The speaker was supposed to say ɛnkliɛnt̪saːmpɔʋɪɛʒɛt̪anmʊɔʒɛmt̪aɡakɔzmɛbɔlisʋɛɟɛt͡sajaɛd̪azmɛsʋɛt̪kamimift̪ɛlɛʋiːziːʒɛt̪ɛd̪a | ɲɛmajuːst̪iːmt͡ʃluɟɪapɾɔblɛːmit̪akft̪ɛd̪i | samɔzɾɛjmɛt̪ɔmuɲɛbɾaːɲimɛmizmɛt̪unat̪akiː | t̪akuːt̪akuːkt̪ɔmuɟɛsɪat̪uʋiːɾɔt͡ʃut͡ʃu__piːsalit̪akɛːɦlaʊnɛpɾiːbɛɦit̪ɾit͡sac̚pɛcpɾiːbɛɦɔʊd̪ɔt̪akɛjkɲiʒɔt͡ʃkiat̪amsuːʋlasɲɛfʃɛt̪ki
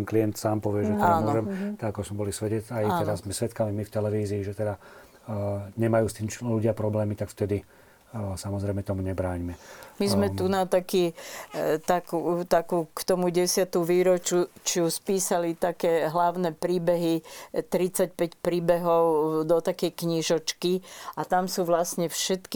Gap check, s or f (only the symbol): s